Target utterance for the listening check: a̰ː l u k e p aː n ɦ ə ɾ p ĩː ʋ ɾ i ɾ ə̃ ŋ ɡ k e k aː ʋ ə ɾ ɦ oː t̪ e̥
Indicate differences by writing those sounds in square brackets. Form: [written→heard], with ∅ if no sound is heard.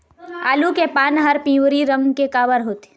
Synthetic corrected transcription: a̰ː l u k e p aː n ɦ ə ɾ p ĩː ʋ ɾ i ɾ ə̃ ŋ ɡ k e k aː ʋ ə ɾ ɦ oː t̪ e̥